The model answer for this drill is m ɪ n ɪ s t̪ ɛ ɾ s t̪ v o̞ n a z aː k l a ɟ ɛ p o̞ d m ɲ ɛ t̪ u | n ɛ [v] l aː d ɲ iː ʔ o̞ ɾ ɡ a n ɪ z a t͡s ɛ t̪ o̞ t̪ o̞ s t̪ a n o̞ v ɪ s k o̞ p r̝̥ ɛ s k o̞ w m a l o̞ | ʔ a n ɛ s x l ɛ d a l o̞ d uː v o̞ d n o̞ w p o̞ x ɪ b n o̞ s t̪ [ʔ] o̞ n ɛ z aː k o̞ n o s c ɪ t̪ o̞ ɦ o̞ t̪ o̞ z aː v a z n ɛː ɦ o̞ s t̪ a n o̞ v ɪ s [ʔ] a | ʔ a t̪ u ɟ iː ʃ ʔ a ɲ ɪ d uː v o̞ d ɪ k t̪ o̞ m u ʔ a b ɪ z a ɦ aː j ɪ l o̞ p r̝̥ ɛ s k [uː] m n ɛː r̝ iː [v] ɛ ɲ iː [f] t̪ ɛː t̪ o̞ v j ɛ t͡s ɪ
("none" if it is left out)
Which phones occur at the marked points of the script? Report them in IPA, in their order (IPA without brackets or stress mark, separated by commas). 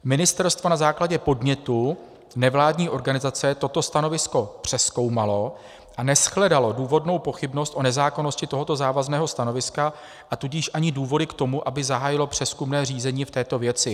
v, ʔ, k, u, z, f